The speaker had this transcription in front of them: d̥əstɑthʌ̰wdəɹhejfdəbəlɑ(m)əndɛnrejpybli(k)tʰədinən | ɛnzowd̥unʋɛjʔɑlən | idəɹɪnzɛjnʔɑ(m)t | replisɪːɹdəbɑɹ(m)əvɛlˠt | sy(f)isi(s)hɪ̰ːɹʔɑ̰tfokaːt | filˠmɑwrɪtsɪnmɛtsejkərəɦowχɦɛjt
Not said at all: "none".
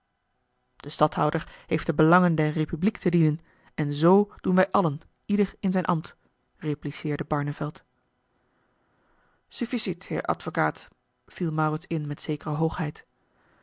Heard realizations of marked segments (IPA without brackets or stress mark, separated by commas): ŋ, k, m, n, f, t